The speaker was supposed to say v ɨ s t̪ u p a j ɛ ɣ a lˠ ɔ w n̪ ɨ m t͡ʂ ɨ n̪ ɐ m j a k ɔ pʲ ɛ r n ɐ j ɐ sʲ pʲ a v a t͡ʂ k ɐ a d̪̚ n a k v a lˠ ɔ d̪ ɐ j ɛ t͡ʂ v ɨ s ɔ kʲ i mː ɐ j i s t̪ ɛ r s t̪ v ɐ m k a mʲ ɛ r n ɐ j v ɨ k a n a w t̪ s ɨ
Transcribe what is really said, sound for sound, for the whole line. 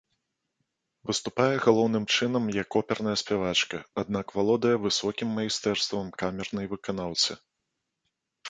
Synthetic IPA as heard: v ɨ s t̪ u p a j ɛ ɣ a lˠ ɔ w n̪ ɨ m t͡ʂ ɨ n̪ ɐ m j a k ɔ pʲ ɛ r n ɐ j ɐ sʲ pʲ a v a t͡ʂ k ɐ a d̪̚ n a k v a lˠ ɔ d̪ ɐ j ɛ v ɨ s ɔ kʲ i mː ɐ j i s t̪ ɛ r s t̪ v ɐ m k a mʲ ɛ r n ɐ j v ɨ k a n a w t̪ s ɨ